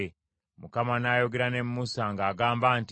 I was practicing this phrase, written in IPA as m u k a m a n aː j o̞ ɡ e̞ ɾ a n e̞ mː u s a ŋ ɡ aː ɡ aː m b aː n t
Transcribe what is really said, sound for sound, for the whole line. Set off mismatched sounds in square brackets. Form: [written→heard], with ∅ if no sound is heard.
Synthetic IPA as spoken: m u k a m a n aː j o̞ ɡ e̞ ɾ a n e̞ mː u s a ŋ ɡ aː ɡ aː m b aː n t